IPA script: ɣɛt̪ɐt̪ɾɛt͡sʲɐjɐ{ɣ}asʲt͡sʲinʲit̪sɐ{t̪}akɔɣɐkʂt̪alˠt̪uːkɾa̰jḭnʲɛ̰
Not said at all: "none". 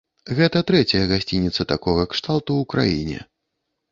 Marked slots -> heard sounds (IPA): ɣ, t̪

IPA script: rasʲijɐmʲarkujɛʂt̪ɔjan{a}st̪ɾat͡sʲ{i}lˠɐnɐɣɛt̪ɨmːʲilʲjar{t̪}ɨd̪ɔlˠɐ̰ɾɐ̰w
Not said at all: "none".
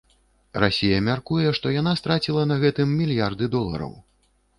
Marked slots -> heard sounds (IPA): a, i, d̪

